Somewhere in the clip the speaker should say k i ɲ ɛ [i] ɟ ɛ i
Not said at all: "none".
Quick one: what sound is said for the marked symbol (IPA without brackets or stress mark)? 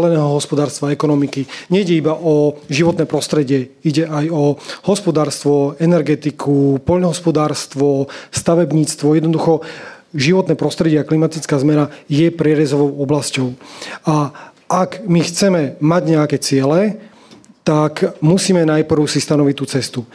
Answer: i